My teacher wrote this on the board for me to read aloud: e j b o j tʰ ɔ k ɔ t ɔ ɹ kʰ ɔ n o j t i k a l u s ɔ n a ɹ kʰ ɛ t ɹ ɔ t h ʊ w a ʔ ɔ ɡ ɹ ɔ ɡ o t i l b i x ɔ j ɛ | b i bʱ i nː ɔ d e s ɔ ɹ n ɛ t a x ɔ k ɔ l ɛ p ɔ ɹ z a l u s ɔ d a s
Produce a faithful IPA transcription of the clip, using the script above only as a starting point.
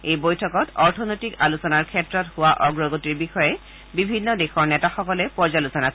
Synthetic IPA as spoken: e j b o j tʰ ɔ k ɔ t ɔ ɹ tʰ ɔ n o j t i k a l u s ɔ n a ɹ kʰ ɛ t ɹ ɔ t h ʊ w a ʔ ɔ ɡ ɹ ɔ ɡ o t i ɹ b i x ɔ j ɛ | b i bʱ i nː ɔ d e x ɔ ɹ n ɛ t a x ɔ k ɔ l ɛ p ɔ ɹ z a l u s ɔ n a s